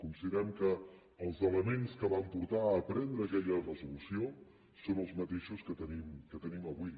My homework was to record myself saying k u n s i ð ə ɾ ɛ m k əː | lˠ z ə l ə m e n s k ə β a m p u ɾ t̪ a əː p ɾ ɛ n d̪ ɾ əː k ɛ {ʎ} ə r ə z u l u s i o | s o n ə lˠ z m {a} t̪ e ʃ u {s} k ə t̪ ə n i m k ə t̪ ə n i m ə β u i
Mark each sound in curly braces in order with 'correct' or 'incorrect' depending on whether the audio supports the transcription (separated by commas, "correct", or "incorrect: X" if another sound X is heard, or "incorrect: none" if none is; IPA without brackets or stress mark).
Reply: correct, incorrect: ə, correct